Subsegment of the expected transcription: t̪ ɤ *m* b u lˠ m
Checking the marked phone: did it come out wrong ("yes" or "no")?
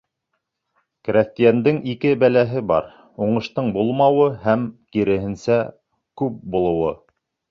yes